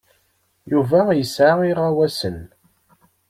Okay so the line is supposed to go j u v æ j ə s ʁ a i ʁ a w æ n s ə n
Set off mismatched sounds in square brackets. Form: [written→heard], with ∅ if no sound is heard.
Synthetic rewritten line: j u v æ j ə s [ʁ→ʕ] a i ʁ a w æ [n→∅] s ə n